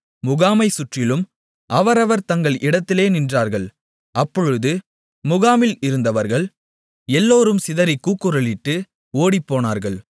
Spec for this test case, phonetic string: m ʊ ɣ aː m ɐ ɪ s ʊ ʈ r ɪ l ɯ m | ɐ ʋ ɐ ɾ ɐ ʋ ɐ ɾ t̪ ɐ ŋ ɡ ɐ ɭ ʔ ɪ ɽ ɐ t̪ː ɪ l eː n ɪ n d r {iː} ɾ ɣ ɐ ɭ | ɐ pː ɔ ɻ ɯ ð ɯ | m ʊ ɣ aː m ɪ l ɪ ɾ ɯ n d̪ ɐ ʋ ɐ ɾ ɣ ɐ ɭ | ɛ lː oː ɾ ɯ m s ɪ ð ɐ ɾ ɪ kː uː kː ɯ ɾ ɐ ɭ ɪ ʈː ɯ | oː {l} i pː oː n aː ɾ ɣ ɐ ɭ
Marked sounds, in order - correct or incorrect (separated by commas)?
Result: incorrect, incorrect